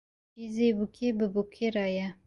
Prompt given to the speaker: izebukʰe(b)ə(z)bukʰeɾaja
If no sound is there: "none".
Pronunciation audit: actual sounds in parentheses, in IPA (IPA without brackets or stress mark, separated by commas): b, none